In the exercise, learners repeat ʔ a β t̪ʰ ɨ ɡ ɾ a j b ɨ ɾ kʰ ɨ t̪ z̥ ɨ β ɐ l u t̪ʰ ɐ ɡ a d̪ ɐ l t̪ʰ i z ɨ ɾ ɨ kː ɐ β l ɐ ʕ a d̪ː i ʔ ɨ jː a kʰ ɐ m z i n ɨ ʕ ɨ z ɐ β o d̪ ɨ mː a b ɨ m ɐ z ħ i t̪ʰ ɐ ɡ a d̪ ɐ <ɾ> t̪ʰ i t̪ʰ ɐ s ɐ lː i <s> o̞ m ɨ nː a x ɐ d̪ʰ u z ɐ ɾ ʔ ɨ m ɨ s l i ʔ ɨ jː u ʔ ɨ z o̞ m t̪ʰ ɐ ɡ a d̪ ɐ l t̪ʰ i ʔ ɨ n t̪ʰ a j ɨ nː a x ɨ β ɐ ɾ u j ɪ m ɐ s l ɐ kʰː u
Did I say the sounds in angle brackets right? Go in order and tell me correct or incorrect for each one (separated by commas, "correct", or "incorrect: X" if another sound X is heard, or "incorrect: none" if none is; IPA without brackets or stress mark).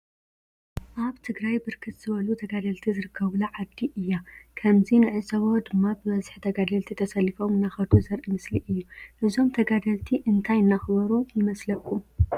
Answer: incorrect: l, incorrect: f